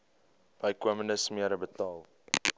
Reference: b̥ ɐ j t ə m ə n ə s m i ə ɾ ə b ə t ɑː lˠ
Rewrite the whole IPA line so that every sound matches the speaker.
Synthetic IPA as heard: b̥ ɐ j k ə m ə n ə s m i ə ɾ ə b ə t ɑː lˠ

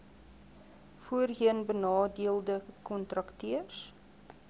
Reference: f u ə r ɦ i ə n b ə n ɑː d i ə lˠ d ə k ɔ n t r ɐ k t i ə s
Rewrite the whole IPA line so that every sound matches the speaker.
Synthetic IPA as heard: f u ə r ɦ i ə n b ə n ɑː d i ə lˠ d ə k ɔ n t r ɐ k t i ə s

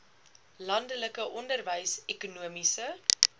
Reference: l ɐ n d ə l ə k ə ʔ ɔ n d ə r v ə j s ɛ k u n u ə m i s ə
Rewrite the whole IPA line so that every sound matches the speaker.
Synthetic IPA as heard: l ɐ n d ə l ə k ə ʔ ɔ n d ə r v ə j s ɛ k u n u ə m i s ə

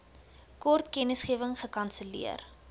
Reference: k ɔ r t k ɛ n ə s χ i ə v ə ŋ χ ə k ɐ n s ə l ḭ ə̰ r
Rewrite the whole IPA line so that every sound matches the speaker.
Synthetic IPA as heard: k ɔ r t k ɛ n ə s χ i ə v ə ŋ χ ə k ɐ n s ə l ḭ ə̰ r

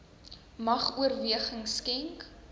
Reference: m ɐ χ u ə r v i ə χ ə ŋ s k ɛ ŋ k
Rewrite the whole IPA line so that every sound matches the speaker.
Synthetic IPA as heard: m ɐ χ u ə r v i ə χ ə ŋ s k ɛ ŋ k

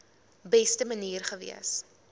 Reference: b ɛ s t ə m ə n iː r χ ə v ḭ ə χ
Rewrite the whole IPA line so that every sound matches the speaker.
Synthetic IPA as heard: b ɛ s t ə m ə n iː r χ ə v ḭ ə s

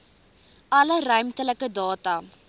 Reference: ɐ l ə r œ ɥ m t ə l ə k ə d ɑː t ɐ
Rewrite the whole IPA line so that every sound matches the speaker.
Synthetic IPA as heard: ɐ l ə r œ ɥ m t ə l ə k ə d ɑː t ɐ

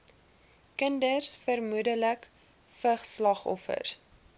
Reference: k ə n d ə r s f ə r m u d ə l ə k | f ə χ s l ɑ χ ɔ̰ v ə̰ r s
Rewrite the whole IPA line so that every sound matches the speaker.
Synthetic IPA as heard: k ə n d ə r s f ə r m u d ə l ə k | f ə χ s l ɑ χ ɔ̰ f ə̰ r s

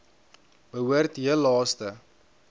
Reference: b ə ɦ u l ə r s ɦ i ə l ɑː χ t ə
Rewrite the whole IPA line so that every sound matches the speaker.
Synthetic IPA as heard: b ə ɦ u ə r t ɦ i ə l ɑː s t ə

